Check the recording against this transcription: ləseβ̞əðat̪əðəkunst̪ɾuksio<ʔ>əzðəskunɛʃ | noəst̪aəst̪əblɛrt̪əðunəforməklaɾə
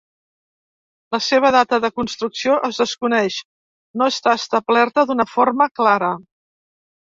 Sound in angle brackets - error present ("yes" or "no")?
no